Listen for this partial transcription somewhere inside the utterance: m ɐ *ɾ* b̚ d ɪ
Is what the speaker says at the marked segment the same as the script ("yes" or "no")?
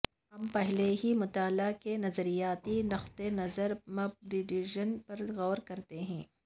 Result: no